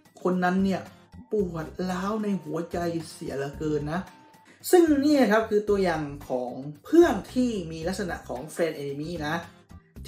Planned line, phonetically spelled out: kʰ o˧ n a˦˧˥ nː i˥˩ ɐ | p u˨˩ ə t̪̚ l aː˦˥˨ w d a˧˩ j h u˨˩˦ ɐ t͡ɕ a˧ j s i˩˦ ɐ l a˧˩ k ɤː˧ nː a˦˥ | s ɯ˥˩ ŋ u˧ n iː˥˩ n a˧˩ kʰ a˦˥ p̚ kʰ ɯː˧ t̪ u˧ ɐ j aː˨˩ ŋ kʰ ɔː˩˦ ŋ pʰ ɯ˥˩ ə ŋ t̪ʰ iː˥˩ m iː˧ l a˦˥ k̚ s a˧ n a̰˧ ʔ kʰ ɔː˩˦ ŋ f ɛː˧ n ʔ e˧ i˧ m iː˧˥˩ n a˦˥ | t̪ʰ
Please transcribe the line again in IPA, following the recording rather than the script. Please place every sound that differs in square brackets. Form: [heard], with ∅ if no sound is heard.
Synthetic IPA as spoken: kʰ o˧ [nː] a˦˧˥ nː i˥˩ ɐ | p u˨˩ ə t̪̚ l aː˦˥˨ w [n] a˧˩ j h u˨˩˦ ɐ t͡ɕ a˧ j s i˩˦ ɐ l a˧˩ k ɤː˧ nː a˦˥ | s ɯ˥˩ ŋ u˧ n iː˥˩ n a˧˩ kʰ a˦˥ p̚ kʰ ɯː˧ t̪ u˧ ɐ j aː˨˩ ŋ kʰ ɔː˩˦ ŋ pʰ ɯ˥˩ ə ŋ t̪ʰ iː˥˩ m iː˧ l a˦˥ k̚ s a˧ n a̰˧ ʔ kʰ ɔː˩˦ ŋ f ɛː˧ n ʔ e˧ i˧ m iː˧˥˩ n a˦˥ | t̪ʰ